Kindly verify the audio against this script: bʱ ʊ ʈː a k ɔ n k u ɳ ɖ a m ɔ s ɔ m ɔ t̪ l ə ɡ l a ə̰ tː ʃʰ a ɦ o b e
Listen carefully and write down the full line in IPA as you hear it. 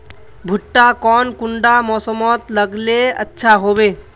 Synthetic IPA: bʱ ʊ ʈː a k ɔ n k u ɳ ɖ a m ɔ s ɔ m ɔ t̪ l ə ɡ l e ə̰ tː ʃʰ a ɦ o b e